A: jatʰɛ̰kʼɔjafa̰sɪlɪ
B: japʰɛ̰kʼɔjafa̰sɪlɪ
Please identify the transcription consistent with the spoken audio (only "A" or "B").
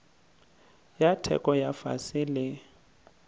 A